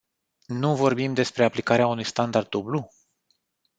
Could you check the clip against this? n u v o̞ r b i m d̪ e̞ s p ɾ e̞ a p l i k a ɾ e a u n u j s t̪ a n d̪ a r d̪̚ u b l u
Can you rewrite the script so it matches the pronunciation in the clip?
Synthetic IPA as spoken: n u v o̞ r b i m d̪ e̞ s p ɾ e̞ a p l i k a ɾ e a u n u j s t̪ a n d̪ a r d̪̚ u b l u